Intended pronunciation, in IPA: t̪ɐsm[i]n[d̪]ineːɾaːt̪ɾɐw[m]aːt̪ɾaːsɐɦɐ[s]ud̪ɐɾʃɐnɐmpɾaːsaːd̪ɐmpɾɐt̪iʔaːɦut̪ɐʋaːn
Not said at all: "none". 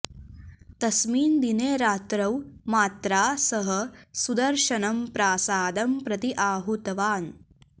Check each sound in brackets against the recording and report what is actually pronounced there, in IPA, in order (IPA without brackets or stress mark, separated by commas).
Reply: iː, d̪, m, s